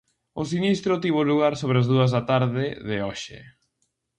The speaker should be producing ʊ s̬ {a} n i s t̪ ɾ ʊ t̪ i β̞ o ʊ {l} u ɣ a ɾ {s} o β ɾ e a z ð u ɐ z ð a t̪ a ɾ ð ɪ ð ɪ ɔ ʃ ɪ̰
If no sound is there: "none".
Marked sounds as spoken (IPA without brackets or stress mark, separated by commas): i, l, s